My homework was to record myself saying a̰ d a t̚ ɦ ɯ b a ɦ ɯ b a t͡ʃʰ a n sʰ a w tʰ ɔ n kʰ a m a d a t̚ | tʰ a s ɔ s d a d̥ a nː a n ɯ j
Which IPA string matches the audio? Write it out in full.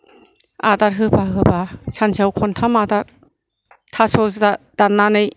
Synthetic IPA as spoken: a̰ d a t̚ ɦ ɯ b a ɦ ɯ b a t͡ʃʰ a n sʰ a w kʰ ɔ n tʰ a m a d a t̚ | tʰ a s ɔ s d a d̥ a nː a n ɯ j